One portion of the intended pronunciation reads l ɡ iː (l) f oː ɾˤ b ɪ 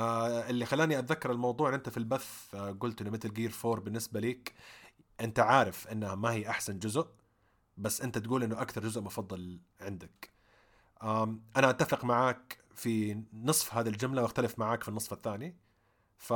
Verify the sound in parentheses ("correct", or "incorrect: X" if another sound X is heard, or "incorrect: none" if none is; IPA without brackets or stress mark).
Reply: incorrect: ɾ